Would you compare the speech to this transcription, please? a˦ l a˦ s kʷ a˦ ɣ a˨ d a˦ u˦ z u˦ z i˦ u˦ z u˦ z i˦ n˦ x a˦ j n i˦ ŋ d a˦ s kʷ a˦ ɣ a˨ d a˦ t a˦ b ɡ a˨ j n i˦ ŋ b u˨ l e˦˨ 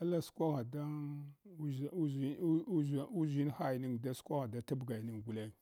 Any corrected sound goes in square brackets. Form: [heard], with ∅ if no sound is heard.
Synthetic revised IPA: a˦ l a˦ s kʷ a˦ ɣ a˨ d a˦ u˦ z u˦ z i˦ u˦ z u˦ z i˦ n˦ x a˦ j n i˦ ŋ d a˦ s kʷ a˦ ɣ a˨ d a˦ t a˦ b ɡ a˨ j n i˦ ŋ [ɡ] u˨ l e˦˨